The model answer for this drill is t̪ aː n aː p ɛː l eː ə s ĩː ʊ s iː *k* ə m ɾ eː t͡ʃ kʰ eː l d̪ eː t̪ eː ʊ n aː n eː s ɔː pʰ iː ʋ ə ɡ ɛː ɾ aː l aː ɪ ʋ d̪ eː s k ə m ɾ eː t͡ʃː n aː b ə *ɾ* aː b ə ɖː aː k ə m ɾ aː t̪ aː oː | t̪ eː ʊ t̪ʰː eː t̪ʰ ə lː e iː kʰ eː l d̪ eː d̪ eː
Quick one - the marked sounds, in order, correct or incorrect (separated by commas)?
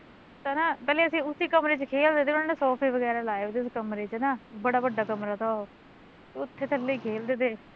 correct, incorrect